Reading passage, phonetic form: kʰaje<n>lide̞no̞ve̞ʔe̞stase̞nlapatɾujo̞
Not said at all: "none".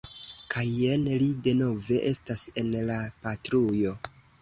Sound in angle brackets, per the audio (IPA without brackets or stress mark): n